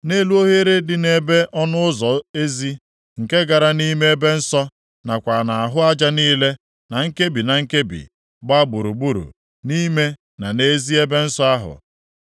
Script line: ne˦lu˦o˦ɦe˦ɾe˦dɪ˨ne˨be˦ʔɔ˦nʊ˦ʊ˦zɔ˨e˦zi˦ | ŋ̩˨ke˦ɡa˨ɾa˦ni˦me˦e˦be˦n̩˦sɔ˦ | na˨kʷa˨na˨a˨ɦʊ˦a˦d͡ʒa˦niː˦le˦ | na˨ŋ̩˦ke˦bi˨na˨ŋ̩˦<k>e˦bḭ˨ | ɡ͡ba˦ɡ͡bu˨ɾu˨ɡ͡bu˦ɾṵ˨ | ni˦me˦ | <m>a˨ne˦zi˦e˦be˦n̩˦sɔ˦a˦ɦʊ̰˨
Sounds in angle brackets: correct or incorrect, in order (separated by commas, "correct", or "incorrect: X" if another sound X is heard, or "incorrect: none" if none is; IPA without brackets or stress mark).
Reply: correct, incorrect: n